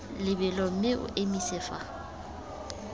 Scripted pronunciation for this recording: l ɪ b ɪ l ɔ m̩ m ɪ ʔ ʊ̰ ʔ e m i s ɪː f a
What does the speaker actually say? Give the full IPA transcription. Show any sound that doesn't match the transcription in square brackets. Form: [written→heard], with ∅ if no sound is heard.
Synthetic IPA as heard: l ɪ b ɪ l ɔ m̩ m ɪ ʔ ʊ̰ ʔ e m i s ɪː f a